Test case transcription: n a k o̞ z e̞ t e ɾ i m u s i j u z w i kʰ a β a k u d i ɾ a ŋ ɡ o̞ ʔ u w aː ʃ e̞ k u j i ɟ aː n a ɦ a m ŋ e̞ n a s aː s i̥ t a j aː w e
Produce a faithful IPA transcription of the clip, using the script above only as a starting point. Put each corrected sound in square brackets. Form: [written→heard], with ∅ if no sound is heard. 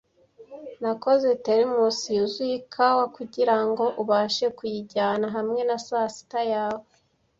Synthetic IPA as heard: n a k o̞ z e̞ t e ɾ i m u s i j u z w i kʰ a [β→w] a k u [d→ɟ] i ɾ a ŋ ɡ o̞ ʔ u [w→β] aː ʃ e̞ k u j i ɟ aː n a ɦ a m ŋ e̞ n a s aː s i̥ t a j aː w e

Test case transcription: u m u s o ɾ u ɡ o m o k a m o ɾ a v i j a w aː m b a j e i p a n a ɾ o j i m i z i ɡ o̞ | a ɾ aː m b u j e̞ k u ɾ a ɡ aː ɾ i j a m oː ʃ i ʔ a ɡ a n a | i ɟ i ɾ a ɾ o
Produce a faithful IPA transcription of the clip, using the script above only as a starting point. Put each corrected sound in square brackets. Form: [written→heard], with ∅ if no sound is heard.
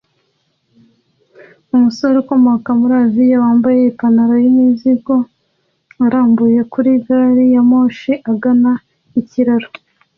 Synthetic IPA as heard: u m u s o ɾ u [ɡ→k] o m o k a m [o→u] ɾ a v i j a w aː m b a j e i p a n a ɾ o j i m i z i ɡ o̞ | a ɾ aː m b u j e̞ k u ɾ [a→i] ɡ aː ɾ i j a m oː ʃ i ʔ a ɡ a n a | i [ɟ→c] i ɾ a ɾ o

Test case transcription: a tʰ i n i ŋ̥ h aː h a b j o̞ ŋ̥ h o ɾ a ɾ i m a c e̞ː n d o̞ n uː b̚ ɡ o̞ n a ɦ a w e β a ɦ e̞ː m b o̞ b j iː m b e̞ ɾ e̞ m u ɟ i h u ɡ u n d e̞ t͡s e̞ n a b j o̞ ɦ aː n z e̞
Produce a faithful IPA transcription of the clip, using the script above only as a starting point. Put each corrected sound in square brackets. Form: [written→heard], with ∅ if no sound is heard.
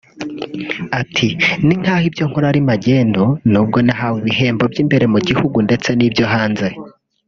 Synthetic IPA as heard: a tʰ i n i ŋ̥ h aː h [a→i] b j o̞ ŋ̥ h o ɾ a ɾ i m a [c→ɟ] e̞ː n d o̞ n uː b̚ ɡ o̞ n a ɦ a w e β [a→i] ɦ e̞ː m b o̞ b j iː m b e̞ ɾ e̞ m u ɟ i h u ɡ u n d e̞ t͡s e̞ n [a→i] b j o̞ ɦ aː n z e̞

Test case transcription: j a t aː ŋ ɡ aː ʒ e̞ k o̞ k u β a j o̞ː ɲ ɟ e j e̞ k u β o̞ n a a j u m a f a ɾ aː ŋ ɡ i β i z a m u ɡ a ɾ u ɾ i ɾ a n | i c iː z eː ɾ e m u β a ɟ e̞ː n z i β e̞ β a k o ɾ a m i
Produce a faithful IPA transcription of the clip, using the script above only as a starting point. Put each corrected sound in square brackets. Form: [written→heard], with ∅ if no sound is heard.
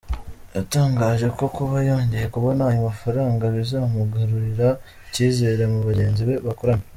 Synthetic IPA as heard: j a t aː ŋ ɡ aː ʒ e̞ k o̞ k u β a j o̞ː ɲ ɟ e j e̞ k u β o̞ n a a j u m a f a ɾ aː ŋ ɡ [i→a] β i z a m u ɡ a ɾ u ɾ i ɾ a [n→∅] | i c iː z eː ɾ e m u β a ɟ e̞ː n z i β e̞ β a k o ɾ a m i

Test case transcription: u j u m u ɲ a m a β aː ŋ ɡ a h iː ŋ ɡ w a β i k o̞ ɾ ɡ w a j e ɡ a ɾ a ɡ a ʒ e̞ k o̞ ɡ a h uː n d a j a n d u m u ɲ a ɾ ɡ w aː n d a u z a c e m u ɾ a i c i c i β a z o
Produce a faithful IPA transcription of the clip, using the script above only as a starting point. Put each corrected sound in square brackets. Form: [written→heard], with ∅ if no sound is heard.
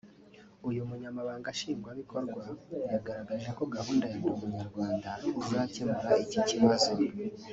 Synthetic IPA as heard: u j u m u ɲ a m a β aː ŋ ɡ a [h→ʃ] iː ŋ ɡ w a β i k o̞ ɾ ɡ w a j [e→a] ɡ a ɾ a ɡ a ʒ e̞ k o̞ ɡ a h uː n d a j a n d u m u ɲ a ɾ ɡ w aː n d a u z a c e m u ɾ a i c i c i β a z o

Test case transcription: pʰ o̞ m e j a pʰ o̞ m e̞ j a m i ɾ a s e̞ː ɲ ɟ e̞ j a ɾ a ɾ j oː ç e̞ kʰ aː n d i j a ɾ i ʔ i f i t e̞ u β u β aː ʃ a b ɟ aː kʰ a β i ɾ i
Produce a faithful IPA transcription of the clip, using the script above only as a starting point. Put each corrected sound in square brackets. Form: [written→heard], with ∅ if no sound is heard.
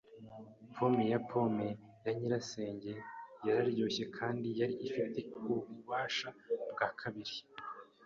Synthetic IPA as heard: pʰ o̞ m e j a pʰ o̞ m e̞ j a [m→ɲ] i ɾ a s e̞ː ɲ ɟ e̞ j a ɾ a ɾ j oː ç e̞ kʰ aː n d i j a ɾ i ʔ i f i t e̞ u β u β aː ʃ a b [ɟ→ɡ] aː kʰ a β i ɾ i

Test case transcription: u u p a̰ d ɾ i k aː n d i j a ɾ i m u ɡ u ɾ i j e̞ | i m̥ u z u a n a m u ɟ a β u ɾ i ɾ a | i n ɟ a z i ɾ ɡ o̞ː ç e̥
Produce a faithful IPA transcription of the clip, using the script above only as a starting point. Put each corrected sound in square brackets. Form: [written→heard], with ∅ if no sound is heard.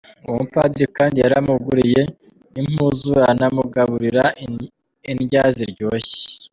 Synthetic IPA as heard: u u p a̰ d ɾ i k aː n d i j a ɾ [i→a] m u ɡ u ɾ i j e̞ | i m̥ u z u a n a m u [ɟ→ɡ] a β u ɾ i ɾ a | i n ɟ a z i ɾ [ɡ→ɟ] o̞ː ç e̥

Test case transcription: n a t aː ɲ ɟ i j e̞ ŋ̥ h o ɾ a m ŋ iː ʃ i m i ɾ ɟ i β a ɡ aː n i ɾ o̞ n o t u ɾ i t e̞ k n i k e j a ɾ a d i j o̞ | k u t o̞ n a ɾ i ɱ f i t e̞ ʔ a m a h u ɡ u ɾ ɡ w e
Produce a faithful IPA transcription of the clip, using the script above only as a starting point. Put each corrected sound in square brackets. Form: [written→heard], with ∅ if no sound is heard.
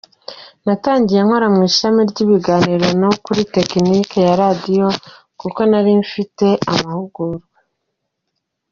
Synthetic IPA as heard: n a t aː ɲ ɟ i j e̞ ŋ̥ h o ɾ a m ŋ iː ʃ [i→a] m i ɾ ɟ i β [a→i] ɡ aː n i ɾ o̞ n o [t→k] u ɾ i t e̞ k n i k e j a ɾ a d i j o̞ | k u [t→k] o̞ n a ɾ i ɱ f i t e̞ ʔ a m a h u ɡ u ɾ ɡ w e

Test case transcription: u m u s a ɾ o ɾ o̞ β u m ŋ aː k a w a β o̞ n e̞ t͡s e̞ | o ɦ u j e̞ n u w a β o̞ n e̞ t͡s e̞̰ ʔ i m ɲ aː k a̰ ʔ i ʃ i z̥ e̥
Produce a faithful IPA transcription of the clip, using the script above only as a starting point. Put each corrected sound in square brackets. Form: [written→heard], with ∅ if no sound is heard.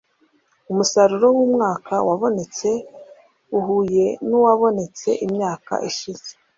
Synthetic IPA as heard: u m u s a ɾ [o→u] ɾ o̞ [β→w] u m ŋ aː k a w a β o̞ n e̞ t͡s e̞ | [o→u] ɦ u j e̞ n u w a β o̞ n e̞ t͡s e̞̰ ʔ i m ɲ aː k a̰ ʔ i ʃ i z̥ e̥

